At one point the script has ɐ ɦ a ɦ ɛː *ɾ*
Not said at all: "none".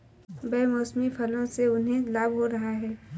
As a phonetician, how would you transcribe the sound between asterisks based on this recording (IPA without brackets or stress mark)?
none